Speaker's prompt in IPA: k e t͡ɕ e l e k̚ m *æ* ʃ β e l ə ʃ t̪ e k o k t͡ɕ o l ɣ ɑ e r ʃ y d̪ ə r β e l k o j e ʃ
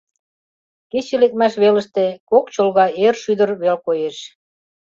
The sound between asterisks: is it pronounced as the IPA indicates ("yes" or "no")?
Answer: yes